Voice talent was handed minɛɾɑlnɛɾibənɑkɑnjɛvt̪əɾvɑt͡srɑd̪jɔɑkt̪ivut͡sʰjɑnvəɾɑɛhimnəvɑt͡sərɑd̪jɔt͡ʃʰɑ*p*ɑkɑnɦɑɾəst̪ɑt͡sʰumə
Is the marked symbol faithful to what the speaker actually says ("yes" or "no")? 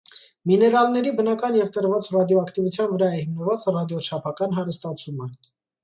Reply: no